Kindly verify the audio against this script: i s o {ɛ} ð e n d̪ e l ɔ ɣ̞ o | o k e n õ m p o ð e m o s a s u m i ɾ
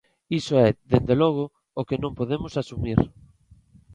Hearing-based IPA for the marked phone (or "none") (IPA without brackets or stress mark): ɛ